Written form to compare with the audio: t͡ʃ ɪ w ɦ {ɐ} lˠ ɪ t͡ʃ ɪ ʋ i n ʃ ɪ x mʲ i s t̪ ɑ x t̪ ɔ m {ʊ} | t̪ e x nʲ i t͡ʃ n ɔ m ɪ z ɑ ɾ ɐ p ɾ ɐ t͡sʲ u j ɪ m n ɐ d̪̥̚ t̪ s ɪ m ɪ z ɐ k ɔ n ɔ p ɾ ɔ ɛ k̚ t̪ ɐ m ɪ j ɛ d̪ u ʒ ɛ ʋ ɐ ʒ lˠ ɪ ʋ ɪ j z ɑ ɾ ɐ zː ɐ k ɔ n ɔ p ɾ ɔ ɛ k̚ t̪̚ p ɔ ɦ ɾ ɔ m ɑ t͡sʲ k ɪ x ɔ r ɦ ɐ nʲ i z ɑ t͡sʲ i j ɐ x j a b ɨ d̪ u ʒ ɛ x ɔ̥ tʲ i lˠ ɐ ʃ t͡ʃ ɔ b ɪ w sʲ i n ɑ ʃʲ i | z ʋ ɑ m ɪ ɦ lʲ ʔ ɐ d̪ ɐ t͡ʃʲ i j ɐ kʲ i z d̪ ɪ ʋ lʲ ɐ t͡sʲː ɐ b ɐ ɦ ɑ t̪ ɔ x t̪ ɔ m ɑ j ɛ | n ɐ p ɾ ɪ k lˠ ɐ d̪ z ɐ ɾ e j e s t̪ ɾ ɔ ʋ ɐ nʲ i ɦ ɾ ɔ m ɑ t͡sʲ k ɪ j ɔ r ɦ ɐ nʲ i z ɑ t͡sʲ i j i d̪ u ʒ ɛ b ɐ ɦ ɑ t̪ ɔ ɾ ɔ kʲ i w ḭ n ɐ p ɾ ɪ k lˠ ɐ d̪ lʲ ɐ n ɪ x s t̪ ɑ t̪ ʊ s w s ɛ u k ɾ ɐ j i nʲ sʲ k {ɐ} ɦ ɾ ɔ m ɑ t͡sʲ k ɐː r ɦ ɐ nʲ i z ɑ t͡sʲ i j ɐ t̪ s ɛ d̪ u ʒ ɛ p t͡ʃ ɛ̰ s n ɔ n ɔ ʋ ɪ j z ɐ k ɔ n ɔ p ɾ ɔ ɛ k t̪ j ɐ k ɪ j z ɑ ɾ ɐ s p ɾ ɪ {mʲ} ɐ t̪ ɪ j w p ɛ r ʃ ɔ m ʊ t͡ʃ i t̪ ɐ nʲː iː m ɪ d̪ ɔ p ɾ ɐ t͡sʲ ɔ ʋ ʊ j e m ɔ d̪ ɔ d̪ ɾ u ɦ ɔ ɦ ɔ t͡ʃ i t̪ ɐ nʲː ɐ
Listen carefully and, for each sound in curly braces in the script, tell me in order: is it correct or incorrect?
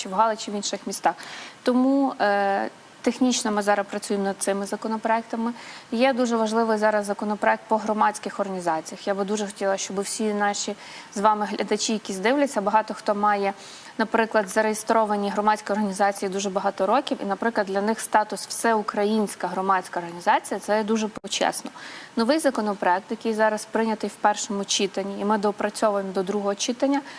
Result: incorrect: ɑ, incorrect: u, correct, incorrect: nʲ

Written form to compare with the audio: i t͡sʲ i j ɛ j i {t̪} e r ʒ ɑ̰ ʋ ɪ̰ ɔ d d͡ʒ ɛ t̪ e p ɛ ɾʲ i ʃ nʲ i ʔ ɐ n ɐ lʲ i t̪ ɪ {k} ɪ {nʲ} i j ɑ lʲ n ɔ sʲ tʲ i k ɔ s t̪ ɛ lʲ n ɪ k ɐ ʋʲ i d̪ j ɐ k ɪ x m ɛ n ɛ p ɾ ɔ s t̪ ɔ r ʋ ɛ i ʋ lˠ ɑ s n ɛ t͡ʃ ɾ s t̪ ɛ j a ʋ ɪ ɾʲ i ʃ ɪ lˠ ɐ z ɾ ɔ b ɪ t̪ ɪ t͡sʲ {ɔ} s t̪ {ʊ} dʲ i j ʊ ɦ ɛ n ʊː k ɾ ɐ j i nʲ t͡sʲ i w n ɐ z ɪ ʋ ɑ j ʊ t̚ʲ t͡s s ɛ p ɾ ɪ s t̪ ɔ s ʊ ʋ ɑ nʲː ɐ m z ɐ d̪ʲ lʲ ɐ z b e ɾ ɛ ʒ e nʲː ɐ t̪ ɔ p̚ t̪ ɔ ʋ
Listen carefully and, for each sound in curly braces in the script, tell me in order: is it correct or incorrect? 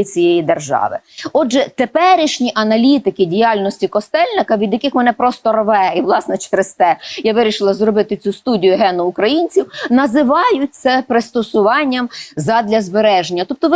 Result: incorrect: d̪, correct, incorrect: dʲ, incorrect: u, incorrect: u

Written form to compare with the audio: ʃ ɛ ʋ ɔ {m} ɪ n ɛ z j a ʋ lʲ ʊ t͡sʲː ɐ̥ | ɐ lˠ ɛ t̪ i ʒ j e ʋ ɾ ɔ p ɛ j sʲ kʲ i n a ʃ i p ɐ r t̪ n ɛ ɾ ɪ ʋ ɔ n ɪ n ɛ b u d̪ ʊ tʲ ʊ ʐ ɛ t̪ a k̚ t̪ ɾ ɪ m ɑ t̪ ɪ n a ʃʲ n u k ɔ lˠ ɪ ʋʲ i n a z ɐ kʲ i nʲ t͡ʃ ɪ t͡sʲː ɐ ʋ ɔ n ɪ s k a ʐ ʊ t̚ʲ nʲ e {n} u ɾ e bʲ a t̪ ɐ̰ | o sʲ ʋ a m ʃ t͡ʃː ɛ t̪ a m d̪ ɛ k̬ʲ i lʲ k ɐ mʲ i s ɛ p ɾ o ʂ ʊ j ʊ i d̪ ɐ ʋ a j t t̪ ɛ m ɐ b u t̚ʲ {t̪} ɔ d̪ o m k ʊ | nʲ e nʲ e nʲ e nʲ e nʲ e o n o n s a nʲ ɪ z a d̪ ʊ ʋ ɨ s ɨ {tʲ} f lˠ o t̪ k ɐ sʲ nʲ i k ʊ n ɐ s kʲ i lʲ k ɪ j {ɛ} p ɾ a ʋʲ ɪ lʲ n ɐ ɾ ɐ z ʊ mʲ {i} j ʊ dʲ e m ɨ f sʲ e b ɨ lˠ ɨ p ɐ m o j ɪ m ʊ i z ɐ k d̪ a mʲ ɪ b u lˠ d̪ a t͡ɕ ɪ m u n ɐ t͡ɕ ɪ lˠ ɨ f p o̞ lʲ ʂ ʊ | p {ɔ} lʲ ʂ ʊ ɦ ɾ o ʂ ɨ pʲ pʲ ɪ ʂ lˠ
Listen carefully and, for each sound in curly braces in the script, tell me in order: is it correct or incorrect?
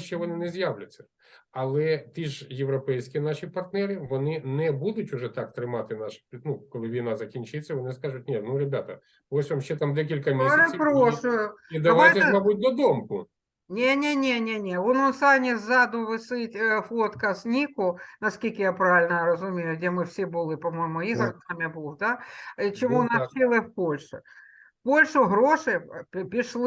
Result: incorrect: n, correct, incorrect: d̪, correct, incorrect: a, incorrect: e, incorrect: o

